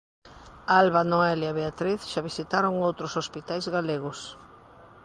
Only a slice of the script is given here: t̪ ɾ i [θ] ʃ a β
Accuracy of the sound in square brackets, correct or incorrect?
correct